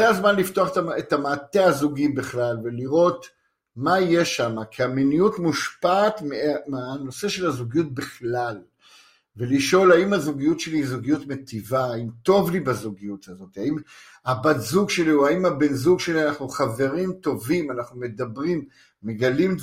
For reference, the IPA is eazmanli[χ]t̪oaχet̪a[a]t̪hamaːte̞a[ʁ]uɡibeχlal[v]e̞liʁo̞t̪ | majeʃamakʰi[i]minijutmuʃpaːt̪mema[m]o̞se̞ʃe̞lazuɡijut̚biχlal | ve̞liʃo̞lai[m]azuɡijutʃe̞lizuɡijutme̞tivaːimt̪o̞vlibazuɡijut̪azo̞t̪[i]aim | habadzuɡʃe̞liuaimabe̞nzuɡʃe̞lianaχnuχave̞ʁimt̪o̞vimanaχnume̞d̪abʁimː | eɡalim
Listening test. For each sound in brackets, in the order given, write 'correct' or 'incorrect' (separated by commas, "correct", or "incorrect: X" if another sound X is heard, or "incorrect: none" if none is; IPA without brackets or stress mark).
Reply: incorrect: f, incorrect: e, incorrect: z, correct, incorrect: a, incorrect: n, correct, correct